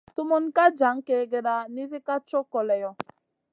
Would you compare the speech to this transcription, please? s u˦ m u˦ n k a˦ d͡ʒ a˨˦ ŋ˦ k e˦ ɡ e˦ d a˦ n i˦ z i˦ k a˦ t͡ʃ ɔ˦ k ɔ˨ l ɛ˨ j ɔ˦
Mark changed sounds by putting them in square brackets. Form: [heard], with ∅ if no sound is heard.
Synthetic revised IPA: [t] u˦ m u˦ n k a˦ d͡ʒ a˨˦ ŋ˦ k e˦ ɡ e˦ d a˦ n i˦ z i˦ k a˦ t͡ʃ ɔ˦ k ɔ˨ l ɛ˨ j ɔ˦